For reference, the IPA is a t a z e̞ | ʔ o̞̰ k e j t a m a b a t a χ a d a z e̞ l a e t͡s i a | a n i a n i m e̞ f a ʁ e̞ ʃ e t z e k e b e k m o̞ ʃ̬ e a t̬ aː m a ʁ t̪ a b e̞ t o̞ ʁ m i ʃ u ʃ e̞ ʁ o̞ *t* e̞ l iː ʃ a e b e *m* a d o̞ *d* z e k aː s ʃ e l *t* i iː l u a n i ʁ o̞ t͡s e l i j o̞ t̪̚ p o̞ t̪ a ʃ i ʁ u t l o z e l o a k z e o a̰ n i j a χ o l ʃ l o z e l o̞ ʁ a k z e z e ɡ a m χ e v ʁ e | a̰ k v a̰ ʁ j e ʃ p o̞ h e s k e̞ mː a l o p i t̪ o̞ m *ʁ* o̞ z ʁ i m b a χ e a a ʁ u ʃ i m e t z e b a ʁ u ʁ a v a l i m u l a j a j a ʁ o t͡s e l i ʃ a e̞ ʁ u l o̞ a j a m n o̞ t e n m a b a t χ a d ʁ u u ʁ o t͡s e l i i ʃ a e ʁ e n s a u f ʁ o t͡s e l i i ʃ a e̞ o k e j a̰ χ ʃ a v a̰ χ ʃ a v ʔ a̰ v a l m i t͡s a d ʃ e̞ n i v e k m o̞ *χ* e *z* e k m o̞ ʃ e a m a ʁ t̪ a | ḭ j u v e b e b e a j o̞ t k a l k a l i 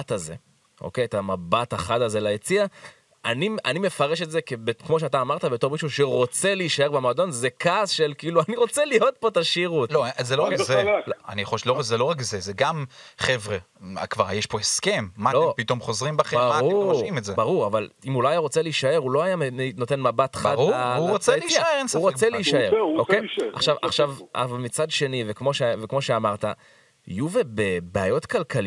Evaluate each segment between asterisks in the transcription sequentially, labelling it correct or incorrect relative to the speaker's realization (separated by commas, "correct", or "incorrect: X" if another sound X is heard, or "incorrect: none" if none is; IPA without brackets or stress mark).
incorrect: t͡s, correct, incorrect: n, incorrect: k, incorrect: χ, incorrect: ʃ, incorrect: v